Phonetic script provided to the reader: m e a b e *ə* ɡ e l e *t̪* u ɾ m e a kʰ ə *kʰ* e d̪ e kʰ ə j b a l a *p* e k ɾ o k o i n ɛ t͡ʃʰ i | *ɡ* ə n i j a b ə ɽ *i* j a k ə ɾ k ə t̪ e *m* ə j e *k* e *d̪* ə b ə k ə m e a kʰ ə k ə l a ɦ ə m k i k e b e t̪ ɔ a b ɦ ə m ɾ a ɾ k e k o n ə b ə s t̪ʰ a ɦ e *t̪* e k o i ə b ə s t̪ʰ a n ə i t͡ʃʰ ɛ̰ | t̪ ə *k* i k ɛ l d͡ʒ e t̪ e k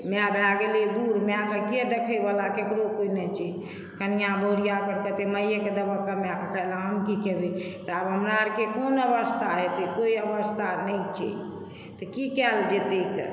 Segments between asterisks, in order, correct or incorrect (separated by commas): incorrect, incorrect, incorrect, incorrect, incorrect, correct, correct, correct, correct, correct, correct